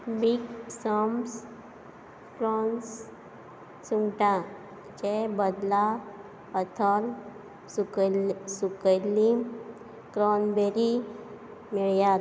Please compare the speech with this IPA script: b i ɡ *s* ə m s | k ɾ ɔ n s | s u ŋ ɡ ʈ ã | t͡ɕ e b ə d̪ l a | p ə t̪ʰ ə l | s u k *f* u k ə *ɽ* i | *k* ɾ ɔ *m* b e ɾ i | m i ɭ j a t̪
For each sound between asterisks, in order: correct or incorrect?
correct, incorrect: s, incorrect: l, correct, incorrect: n

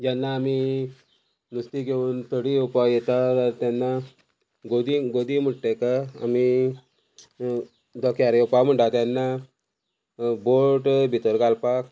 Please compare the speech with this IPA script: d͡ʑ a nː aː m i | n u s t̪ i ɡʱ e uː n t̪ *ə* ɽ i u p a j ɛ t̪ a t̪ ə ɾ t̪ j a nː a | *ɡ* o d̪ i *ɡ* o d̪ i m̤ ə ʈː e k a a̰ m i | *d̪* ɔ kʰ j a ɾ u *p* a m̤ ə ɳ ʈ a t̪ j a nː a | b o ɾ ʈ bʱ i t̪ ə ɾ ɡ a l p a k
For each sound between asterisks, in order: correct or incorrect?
correct, correct, correct, correct, correct

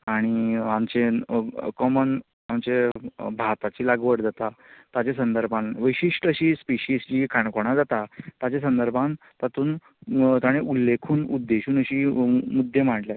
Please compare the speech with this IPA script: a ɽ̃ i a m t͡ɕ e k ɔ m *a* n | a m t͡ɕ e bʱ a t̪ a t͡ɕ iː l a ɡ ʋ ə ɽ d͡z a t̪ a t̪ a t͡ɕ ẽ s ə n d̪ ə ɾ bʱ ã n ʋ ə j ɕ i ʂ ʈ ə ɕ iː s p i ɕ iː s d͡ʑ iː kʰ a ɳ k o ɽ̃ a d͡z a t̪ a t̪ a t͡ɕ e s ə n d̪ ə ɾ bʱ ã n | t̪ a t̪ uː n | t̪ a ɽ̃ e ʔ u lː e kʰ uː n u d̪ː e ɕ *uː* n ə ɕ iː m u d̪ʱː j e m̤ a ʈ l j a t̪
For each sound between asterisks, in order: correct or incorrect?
incorrect: ə, correct

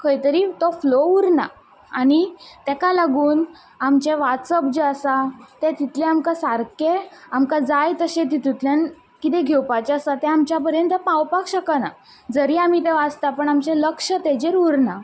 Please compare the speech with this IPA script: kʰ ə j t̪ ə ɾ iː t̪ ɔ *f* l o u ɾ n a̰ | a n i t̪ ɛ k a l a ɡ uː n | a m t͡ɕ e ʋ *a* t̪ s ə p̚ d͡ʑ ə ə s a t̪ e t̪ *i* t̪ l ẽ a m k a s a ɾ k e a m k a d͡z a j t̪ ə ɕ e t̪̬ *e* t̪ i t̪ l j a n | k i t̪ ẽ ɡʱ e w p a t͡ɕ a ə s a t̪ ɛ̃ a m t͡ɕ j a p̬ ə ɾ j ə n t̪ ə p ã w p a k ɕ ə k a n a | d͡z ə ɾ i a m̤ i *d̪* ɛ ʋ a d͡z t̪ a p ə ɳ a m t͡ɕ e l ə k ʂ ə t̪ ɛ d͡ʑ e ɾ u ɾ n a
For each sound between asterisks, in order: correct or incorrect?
correct, correct, correct, incorrect: i, incorrect: t̪

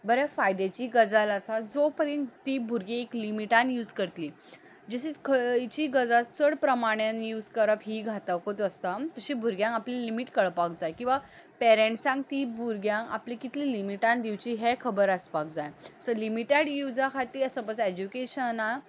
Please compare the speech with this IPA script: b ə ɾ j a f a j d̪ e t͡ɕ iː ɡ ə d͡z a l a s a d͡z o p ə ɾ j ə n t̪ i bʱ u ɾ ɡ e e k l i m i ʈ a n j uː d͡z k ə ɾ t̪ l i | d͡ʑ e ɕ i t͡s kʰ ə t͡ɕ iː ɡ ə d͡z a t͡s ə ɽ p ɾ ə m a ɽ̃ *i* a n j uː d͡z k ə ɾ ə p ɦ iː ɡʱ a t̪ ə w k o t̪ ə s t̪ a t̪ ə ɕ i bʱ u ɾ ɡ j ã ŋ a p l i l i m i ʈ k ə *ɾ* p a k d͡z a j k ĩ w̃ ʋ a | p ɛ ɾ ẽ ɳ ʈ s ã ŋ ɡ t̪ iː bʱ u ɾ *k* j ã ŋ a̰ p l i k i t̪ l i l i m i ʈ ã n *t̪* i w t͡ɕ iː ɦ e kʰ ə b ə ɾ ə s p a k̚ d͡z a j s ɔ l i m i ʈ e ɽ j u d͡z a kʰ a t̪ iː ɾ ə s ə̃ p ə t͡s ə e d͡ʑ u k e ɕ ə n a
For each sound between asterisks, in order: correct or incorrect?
incorrect: j, incorrect: ɭ, incorrect: ɡ, incorrect: d̪

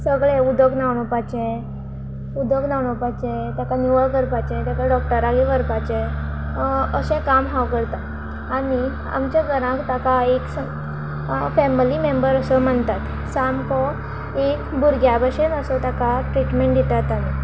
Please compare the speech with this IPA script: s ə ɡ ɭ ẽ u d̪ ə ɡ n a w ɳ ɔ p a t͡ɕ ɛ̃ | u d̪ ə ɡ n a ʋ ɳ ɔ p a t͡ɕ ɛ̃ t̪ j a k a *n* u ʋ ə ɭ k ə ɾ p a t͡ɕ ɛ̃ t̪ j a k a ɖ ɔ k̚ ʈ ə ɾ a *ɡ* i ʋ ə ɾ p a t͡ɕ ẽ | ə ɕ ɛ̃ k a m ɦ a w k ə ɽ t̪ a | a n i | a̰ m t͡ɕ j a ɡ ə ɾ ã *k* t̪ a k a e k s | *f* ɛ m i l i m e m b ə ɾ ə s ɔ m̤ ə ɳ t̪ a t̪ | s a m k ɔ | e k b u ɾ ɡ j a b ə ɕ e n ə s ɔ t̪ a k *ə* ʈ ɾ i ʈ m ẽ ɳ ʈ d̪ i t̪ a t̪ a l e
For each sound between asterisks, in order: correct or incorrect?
correct, correct, correct, correct, incorrect: a

